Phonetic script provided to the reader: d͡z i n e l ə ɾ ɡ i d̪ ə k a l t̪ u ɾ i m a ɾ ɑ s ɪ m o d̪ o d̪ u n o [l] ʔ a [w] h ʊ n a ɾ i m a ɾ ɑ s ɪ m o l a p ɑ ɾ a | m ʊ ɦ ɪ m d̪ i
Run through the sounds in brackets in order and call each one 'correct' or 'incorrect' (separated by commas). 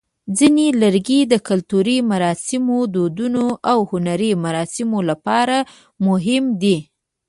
incorrect, correct